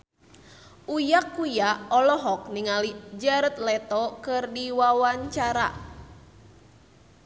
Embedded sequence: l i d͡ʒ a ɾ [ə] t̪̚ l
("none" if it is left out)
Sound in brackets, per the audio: ə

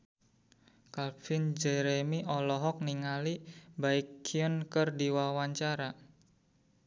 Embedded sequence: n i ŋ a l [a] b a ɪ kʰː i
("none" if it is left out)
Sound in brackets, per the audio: i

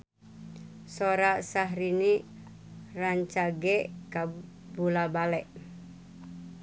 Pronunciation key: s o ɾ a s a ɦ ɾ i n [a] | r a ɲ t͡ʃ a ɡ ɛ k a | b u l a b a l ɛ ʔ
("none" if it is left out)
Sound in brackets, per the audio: i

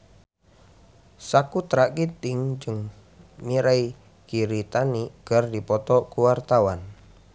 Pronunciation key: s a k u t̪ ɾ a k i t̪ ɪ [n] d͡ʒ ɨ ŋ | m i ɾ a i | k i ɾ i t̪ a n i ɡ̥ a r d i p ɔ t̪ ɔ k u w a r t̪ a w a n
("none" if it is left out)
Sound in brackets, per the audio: ŋ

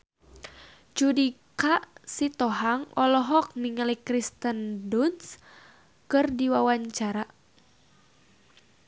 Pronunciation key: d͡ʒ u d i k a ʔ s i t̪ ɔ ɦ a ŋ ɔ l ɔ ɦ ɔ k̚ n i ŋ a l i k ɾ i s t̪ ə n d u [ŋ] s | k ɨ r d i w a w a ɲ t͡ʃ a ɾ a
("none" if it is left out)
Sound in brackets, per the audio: n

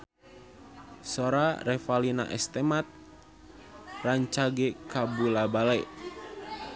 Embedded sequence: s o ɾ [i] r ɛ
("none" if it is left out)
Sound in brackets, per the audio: a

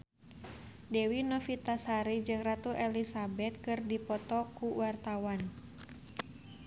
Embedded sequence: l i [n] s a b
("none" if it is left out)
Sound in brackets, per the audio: none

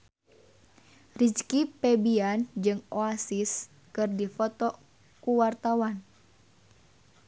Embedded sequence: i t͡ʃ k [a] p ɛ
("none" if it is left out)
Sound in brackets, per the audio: i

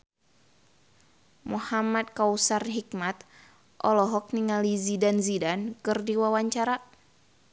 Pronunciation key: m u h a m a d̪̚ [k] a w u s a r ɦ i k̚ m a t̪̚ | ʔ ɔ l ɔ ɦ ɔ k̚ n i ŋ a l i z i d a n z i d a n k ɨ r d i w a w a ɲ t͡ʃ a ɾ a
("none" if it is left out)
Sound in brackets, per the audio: k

